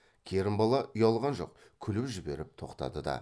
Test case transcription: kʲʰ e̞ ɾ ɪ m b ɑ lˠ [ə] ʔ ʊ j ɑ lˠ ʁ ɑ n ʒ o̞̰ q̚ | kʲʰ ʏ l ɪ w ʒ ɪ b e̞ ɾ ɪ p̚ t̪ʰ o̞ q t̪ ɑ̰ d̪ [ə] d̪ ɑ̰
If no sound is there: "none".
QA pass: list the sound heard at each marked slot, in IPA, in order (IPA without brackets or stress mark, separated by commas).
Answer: ɑ, ə